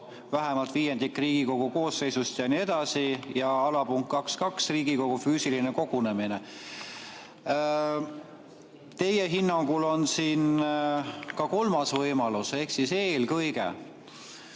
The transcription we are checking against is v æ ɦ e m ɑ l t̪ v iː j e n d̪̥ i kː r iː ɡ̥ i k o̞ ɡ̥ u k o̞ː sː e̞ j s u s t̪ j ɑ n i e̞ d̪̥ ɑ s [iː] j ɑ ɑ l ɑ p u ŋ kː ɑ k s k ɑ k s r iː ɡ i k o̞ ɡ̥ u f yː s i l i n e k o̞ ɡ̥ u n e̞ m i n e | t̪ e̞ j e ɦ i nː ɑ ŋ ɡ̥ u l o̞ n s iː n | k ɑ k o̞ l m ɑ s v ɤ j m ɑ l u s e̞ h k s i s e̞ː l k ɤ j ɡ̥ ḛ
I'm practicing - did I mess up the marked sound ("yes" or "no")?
yes